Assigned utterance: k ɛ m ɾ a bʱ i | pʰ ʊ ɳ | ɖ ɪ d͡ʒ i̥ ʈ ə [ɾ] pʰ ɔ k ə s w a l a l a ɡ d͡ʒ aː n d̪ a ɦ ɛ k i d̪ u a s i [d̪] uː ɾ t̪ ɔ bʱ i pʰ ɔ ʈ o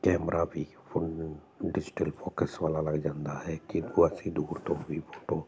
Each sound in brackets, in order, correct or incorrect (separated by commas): incorrect, correct